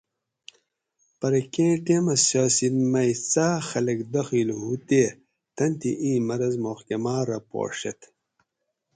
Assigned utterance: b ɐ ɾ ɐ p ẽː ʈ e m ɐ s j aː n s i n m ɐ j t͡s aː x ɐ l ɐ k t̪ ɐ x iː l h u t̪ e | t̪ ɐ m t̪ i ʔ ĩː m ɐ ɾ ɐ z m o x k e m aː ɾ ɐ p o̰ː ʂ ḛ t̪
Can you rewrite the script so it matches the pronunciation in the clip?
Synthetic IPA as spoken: p ɐ ɾ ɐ k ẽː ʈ e m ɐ s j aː s i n m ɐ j t͡s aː x ɐ l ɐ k d̪ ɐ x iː l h u t̪ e | t̪ ɐ n t̪ i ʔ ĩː m ɐ ɾ ɐ z m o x k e m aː ɾ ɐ p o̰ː ʂ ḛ t̪